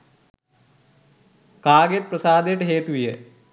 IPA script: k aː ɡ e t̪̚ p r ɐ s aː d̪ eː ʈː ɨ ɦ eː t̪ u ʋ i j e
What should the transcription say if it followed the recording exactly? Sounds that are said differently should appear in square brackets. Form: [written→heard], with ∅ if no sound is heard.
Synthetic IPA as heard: k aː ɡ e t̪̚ p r ɐ s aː d̪ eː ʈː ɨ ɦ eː t̪ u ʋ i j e